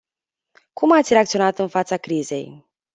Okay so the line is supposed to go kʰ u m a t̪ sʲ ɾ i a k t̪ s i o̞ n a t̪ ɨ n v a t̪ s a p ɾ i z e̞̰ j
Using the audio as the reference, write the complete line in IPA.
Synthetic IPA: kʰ u m a t̪ sʲ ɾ e a k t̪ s i o̞ n a t̪ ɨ n f a t̪ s a k ɾ i z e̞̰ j